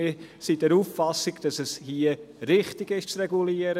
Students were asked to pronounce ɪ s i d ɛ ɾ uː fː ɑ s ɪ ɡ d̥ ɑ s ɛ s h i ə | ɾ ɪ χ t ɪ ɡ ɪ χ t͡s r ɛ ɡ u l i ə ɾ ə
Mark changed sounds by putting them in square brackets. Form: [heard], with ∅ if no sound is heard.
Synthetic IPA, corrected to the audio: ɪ s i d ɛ ɾ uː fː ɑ s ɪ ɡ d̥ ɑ s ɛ s h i ə | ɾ ɪ χ t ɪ ɡ ɪ [ʃ] t͡s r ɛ ɡ u l i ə ɾ ə